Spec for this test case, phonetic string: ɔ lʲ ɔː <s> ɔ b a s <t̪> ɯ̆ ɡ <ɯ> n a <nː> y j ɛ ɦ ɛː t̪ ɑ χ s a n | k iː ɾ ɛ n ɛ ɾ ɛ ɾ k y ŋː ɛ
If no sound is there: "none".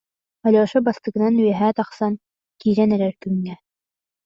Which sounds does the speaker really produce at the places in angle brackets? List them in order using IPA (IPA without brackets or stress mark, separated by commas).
ʃ, t̪, ɯ, n